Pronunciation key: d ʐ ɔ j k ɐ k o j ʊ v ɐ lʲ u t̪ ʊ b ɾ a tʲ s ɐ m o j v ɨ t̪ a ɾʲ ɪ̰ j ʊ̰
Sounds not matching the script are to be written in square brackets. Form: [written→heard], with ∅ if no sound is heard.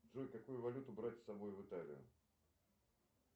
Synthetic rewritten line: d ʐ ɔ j k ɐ k [o→u] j ʊ v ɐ lʲ u t̪ ʊ b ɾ a tʲ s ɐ [m→b] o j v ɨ t̪ a [ɾʲ→lʲ] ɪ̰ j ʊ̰